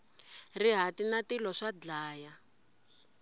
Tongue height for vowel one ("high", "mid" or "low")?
high